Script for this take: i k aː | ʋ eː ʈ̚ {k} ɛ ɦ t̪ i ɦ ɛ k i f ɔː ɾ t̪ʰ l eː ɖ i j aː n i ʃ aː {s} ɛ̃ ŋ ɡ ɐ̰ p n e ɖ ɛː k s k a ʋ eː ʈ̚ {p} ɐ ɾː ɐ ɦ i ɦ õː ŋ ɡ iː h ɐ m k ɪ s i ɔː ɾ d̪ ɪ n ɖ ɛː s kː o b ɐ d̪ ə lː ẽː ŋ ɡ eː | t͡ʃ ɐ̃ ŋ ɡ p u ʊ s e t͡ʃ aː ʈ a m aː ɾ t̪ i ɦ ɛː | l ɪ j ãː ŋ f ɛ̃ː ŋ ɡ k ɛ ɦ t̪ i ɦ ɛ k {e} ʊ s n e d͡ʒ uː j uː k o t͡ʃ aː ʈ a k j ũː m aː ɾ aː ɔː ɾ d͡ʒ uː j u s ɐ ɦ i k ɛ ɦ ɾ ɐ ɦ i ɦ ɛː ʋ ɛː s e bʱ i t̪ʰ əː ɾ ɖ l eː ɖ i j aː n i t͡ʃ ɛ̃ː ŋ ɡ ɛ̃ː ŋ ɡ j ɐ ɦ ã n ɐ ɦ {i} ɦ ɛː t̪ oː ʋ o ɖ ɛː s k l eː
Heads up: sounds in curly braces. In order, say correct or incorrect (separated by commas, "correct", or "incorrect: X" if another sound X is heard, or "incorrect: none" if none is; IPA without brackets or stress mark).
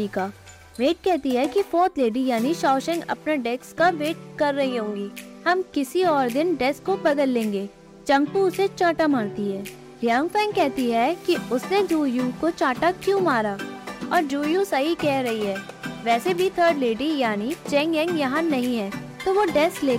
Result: correct, incorrect: ʃ, incorrect: k, incorrect: i, incorrect: ĩ